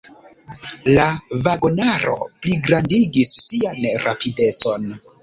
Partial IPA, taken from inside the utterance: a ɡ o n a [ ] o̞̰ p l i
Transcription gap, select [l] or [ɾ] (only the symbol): ɾ